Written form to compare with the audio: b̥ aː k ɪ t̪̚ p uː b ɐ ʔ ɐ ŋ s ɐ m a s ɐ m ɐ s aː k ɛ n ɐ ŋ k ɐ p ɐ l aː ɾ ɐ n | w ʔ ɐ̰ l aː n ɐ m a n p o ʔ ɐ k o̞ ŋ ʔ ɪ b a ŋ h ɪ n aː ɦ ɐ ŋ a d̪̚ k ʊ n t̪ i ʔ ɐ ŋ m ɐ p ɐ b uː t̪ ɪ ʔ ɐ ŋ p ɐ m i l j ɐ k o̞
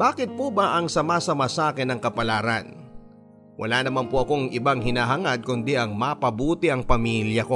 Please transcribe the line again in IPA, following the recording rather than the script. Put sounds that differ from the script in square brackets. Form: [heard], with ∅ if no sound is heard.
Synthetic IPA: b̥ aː k ɪ t̪̚ p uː b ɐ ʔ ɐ ŋ s ɐ m a s ɐ m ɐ s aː k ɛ n ɐ ŋ k ɐ p ɐ l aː ɾ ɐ n | w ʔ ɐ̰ l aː n ɐ m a n p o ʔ ɐ k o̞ ŋ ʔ ɪ b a ŋ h ɪ n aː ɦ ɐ ŋ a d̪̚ k ʊ n [d̪] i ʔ ɐ ŋ m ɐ p ɐ b uː t̪ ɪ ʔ ɐ ŋ p ɐ m i l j ɐ k o̞